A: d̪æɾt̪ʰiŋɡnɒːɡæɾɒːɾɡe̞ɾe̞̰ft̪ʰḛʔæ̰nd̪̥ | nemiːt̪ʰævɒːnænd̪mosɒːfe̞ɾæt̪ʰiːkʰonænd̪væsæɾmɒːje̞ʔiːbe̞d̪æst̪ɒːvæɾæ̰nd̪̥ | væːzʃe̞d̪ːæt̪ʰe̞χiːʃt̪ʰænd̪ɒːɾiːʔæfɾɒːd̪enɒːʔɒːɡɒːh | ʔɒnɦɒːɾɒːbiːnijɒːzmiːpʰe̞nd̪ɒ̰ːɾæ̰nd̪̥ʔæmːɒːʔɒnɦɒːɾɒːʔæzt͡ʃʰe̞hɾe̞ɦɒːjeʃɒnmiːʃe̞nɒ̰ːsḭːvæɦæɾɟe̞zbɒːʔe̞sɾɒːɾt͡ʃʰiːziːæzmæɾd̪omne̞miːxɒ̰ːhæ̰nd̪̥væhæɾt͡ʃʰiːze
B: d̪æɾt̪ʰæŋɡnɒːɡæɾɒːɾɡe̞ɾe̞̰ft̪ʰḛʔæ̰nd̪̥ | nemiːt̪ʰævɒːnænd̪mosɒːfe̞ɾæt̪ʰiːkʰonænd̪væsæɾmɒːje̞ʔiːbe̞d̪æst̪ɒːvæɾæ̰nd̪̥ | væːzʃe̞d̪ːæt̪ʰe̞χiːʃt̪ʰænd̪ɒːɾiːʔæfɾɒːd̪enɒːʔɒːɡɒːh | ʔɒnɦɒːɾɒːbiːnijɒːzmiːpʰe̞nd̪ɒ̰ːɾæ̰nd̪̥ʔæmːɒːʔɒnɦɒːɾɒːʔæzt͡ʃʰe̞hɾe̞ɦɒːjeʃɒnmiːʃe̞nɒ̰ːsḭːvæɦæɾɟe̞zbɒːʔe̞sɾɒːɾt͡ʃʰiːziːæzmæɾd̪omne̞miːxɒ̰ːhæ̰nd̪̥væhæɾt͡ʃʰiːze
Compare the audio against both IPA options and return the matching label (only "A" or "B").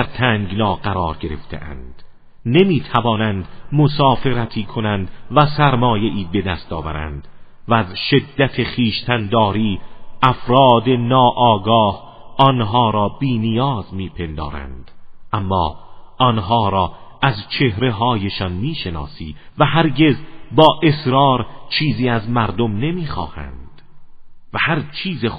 B